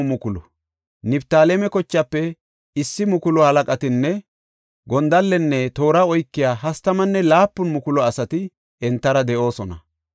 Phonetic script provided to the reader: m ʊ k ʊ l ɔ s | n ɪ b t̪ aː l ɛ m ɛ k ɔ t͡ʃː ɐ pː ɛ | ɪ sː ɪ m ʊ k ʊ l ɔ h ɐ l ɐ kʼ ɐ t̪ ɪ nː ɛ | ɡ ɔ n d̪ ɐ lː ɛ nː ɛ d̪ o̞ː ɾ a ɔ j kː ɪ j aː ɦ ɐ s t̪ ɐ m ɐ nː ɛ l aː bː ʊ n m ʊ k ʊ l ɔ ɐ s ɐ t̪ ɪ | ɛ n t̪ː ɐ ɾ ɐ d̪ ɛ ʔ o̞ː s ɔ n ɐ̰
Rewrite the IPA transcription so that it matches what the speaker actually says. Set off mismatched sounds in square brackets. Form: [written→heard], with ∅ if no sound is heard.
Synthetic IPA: m ʊ k ʊ l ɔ [s→∅] | n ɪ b t̪ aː l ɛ m ɛ k ɔ t͡ʃː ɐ pː ɛ | ɪ sː ɪ m ʊ k ʊ l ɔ h ɐ l ɐ kʼ ɐ t̪ ɪ nː ɛ | ɡ ɔ n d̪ ɐ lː ɛ nː ɛ [d̪→t̪] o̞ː ɾ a ɔ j kː ɪ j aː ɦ ɐ s t̪ ɐ m ɐ nː ɛ l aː [bː→pː] ʊ n m ʊ k ʊ l ɔ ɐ s ɐ t̪ ɪ | ɛ n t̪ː ɐ ɾ ɐ d̪ ɛ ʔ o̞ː s ɔ n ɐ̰